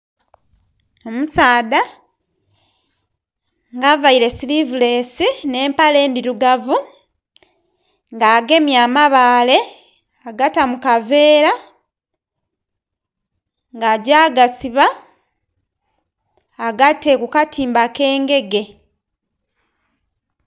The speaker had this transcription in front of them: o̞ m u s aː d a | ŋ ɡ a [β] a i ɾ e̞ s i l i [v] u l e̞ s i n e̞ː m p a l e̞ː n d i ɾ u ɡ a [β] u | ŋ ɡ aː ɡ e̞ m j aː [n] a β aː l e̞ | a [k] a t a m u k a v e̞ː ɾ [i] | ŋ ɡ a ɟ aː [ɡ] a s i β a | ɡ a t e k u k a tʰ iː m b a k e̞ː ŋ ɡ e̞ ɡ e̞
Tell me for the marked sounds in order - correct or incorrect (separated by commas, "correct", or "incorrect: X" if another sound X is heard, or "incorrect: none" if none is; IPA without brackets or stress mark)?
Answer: incorrect: v, correct, incorrect: v, incorrect: m, incorrect: ɡ, incorrect: a, correct